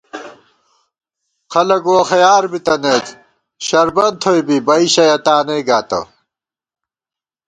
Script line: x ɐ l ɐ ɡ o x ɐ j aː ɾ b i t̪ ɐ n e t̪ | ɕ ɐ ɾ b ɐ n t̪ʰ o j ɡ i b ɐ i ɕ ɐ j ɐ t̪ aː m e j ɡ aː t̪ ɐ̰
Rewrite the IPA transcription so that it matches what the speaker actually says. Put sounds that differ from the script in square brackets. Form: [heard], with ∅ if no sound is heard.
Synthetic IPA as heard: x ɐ l ɐ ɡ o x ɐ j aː ɾ b i t̪ ɐ n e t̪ | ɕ ɐ ɾ b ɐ n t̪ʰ o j [b] i b ɐ i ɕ ɐ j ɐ t̪ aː [n] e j ɡ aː t̪ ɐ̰